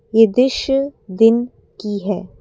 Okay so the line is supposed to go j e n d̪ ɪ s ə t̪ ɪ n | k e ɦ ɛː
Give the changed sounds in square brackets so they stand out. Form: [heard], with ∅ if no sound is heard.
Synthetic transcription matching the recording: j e [∅] d̪ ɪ [ʃ] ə [d̪] ɪ n | k [i] ɦ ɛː